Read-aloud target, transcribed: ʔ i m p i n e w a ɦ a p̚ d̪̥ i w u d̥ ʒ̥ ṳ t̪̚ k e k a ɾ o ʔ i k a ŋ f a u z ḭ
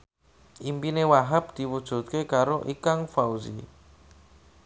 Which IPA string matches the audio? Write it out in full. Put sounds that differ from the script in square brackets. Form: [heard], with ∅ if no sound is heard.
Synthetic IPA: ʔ i m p i n e w a ɦ a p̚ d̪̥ i w u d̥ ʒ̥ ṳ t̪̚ k e k a ɾ o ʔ i k a ŋ f a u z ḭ